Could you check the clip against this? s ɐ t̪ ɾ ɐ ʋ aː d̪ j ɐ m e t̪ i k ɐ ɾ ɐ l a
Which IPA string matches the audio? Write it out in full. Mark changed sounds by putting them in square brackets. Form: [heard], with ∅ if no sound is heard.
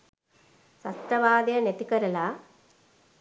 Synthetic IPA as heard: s ɐ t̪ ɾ ɐ ʋ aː d̪ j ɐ [n] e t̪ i k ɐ ɾ ɐ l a